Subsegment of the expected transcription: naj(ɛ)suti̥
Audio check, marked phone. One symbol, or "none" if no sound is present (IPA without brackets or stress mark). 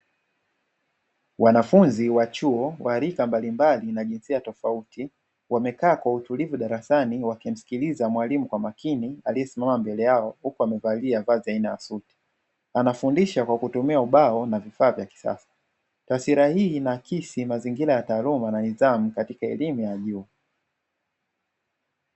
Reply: a